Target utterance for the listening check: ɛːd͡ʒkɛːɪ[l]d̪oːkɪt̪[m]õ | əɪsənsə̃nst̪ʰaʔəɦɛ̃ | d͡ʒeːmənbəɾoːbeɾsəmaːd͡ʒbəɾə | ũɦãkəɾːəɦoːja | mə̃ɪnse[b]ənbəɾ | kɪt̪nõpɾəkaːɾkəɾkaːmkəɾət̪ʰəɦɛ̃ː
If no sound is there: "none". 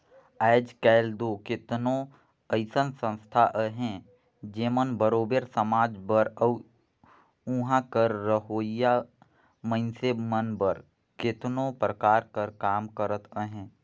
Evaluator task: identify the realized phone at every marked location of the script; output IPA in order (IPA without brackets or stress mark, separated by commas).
l, n, m